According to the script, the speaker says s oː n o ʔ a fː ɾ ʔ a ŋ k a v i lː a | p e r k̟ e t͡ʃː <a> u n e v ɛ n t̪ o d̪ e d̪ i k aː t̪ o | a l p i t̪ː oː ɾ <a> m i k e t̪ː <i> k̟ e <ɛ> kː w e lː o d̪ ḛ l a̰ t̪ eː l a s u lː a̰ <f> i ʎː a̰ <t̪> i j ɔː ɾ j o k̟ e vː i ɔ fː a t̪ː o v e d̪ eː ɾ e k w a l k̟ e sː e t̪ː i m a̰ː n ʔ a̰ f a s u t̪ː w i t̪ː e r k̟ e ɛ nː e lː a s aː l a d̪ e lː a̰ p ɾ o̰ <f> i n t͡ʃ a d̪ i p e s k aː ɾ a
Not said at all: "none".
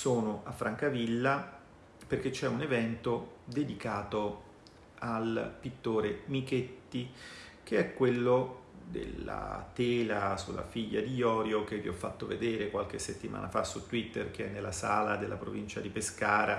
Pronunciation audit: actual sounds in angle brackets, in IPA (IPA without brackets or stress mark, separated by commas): ɛ, e, i, ɛ, f, d̪, v